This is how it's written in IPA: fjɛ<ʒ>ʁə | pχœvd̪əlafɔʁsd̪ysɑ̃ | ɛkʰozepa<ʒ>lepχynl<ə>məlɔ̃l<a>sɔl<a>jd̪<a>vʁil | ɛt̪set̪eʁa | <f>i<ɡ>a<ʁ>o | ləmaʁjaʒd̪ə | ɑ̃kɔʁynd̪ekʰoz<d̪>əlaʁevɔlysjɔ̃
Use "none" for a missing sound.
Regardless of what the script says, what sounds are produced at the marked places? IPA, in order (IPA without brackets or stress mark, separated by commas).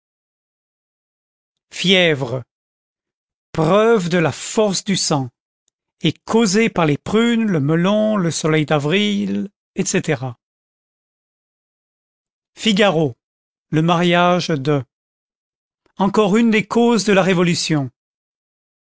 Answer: v, ʁ, ə, ə, ɛ, a, f, ɡ, ʁ, d̪